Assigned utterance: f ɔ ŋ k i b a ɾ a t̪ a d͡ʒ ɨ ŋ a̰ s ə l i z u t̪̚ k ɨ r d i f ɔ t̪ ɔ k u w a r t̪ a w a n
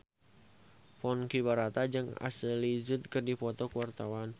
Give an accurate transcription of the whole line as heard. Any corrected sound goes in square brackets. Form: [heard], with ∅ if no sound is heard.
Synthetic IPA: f ɔ [n] k i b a ɾ a t̪ a d͡ʒ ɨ ŋ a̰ s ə l i z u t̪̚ k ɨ r d i f ɔ t̪ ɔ k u w a r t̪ a w a n